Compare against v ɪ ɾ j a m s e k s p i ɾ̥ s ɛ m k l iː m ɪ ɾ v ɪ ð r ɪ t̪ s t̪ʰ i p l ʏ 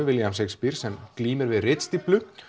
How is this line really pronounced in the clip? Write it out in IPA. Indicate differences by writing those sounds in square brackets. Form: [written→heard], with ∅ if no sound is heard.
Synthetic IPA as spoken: v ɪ [ɾ→l] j a m s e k s p i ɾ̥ s ɛ m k l iː m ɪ ɾ v ɪ ð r ɪ t̪ s [t̪ʰ→t̪] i p l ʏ